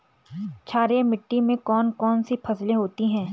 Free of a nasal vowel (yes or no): no